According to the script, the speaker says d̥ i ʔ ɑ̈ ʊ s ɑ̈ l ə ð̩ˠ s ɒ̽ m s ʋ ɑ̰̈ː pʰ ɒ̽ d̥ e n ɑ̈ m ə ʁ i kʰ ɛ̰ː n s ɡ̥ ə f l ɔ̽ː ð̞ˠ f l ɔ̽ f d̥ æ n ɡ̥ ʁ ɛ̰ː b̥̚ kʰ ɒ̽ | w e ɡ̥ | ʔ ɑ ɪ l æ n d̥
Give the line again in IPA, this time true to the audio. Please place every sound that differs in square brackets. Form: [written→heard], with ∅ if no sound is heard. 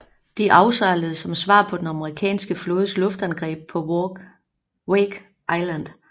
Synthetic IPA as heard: d̥ i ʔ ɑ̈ ʊ s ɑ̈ l ə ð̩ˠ s ɒ̽ m s ʋ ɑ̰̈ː pʰ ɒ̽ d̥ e n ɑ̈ m ə ʁ i kʰ ɛ̰ː n s ɡ̥ ə f l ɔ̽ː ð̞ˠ [f→s] l ɔ̽ f d̥ æ n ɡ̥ ʁ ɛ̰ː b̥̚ [kʰ→pʰ] ɒ̽ | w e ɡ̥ | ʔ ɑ ɪ l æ n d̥